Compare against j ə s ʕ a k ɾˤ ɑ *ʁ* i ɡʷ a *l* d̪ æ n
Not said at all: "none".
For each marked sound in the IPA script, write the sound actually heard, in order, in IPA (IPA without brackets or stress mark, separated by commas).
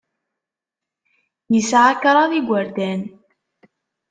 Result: ð, ɾ